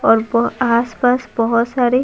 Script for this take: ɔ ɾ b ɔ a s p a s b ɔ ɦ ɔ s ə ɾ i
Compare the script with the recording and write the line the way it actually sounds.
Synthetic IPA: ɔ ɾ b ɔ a s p a s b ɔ ɦ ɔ s a ɾ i